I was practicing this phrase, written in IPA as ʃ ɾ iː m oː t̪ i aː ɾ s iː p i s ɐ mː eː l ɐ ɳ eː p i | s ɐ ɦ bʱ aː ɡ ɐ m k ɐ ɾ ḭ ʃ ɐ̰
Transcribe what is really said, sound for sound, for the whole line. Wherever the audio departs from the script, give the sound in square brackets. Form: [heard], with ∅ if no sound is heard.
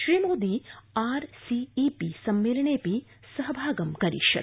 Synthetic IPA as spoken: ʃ ɾ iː m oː [d̪] i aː ɾ s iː p i s ɐ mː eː l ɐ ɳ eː p i | s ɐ ɦ bʱ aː ɡ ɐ m k ɐ ɾ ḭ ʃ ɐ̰